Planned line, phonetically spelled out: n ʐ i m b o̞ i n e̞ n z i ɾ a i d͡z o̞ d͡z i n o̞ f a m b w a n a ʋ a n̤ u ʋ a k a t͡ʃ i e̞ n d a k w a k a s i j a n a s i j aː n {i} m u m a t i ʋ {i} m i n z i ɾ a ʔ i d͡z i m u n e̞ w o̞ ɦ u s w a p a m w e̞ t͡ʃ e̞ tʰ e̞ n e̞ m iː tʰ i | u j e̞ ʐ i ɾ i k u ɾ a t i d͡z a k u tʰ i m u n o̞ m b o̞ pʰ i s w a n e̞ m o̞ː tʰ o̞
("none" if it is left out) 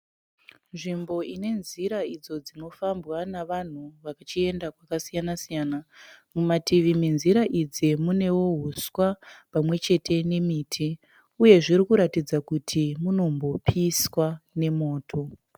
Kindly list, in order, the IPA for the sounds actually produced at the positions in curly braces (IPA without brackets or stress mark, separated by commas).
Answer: a, i